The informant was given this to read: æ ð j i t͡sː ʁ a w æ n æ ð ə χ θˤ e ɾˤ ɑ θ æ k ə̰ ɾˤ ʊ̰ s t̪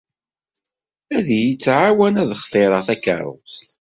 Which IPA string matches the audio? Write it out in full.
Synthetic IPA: æ ð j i t͡sː ʕ a w æ n æ ð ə χ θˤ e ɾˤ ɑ θ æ k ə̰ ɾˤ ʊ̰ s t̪